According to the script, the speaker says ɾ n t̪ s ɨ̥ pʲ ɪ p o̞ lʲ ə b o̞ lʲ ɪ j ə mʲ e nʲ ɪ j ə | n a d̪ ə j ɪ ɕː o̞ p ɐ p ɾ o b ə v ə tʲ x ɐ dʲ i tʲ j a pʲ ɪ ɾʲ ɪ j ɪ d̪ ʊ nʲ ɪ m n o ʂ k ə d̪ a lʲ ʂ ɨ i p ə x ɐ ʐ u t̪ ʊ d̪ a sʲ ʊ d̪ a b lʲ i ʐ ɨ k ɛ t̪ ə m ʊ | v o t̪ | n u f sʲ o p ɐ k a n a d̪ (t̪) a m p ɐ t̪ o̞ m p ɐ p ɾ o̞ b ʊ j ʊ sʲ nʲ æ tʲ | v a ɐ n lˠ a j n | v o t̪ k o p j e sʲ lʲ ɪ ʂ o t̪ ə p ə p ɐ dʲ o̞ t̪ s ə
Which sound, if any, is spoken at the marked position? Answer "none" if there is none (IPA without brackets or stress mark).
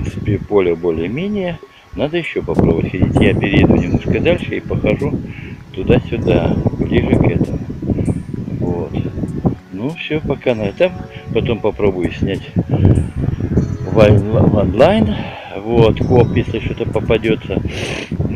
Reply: t̪